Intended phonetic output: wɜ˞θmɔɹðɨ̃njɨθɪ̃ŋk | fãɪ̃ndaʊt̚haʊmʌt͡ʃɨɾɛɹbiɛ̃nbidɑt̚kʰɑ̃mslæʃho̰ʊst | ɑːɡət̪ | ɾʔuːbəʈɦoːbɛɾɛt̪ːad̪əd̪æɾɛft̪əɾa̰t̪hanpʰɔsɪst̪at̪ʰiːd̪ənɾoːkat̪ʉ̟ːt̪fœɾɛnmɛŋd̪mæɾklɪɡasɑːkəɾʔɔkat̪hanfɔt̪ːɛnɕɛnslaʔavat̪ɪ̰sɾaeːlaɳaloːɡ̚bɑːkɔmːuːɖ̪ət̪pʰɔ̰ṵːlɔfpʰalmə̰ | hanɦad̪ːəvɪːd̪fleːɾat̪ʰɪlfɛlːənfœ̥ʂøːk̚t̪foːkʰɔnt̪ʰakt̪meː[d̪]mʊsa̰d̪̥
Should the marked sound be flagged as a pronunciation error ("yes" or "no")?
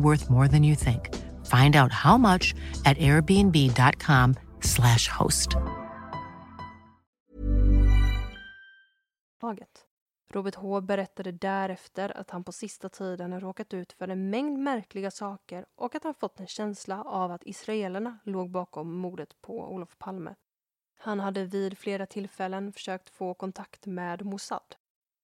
no